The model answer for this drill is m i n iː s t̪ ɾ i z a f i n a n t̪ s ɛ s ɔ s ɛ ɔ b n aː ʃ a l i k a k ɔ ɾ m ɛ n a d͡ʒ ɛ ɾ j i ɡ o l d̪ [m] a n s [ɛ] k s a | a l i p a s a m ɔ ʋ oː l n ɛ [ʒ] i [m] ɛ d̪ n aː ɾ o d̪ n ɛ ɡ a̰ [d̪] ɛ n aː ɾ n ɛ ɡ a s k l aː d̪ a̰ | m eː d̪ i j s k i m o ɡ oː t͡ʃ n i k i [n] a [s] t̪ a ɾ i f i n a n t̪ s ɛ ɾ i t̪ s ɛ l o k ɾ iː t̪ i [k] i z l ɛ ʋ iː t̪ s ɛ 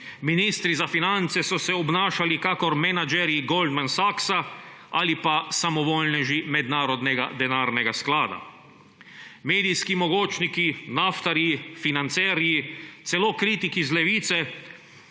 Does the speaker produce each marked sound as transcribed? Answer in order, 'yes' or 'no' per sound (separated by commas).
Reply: yes, no, yes, yes, yes, yes, no, yes